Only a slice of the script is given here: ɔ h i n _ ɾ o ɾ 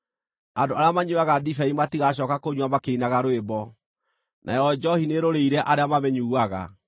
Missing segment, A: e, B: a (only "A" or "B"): A